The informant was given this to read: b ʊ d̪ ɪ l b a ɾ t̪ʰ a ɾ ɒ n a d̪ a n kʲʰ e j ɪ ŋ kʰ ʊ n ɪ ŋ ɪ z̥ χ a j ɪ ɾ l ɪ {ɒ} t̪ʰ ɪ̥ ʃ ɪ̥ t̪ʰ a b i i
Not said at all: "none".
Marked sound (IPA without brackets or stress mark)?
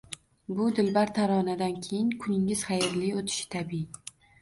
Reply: o